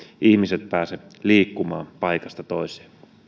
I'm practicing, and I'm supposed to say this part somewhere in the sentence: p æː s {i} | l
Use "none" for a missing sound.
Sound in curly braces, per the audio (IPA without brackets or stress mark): e